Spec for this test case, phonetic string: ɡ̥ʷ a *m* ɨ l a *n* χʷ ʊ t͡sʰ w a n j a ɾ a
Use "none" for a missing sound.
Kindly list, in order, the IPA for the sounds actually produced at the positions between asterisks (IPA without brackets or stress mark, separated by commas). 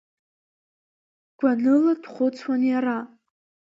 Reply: n, d